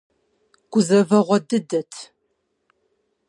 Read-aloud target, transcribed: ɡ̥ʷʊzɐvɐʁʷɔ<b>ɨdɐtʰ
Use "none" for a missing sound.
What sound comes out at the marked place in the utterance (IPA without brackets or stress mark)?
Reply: d